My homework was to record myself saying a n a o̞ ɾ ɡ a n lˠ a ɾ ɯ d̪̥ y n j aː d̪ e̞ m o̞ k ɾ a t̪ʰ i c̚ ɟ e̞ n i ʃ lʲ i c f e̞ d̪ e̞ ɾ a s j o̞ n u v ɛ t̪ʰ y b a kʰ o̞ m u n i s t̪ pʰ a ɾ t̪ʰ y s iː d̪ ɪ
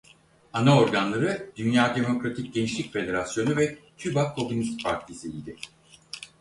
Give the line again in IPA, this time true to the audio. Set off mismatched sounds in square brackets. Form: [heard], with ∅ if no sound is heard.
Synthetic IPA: a n a o̞ ɾ ɡ a n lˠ a ɾ ɯ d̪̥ y n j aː d̪ e̞ m o̞ k ɾ a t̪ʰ i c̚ ɟ e̞ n i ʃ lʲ i c f e̞ d̪ e̞ ɾ a s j o̞ n u v ɛ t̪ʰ y b a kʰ o̞ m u n i s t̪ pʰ a ɾ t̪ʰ [i] s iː d̪ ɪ